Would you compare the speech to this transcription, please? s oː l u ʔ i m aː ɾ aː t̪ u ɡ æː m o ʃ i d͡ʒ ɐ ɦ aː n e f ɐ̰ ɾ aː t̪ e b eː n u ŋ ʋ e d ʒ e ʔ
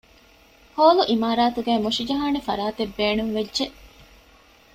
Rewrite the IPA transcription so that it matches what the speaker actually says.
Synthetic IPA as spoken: h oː l u ʔ i m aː ɾ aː t̪ u ɡ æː m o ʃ i d͡ʒ ɐ ɦ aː n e f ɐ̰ ɾ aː t̪ e bː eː n u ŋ ʋ e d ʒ e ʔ